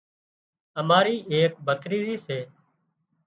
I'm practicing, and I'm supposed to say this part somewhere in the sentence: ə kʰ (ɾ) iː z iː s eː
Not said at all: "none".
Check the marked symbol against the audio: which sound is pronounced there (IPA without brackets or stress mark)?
ɾ